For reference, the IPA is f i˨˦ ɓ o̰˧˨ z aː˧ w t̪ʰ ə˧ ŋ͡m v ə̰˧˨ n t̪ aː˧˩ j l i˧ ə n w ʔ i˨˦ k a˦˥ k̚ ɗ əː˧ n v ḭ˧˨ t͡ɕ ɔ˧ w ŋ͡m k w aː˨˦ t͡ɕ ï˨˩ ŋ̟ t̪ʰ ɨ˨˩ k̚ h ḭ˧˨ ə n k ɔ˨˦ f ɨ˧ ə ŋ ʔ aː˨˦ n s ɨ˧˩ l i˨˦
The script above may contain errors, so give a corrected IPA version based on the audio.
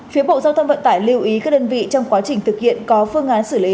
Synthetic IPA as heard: f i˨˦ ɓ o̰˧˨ z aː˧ w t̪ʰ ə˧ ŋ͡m v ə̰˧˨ n t̪ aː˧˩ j l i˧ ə w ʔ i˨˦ k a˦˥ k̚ ɗ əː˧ n v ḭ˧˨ t͡ɕ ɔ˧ w ŋ͡m k w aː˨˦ t͡ɕ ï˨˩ ŋ̟ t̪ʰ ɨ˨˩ k̚ h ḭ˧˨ ə n k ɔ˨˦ f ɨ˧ ə ŋ ʔ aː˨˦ n s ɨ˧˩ l i˨˦